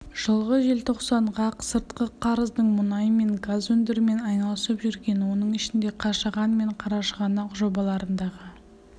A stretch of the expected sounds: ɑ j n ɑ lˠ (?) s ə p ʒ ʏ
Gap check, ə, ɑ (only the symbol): ə